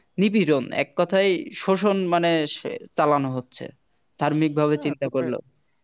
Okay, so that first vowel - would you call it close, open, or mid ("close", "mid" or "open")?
close